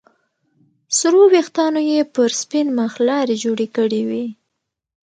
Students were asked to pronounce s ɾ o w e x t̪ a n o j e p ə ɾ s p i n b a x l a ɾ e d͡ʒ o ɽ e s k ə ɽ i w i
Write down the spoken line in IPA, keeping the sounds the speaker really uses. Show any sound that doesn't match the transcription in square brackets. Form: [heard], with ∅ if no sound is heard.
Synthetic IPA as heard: s ɾ o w e x t̪ [ɑ] n o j e p ə ɾ s p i n [m] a x l [ɑ] ɾ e d͡ʒ o ɽ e [∅] k ə ɽ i w i